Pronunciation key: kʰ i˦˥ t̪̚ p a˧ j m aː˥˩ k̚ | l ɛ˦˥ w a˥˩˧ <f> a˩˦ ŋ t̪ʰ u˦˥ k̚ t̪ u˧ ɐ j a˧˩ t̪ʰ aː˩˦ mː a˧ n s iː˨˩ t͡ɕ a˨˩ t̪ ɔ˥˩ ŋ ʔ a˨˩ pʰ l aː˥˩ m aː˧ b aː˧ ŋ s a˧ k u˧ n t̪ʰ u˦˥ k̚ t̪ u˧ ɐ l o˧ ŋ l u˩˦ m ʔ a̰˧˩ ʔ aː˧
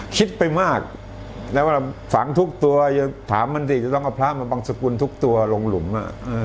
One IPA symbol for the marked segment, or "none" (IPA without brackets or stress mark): f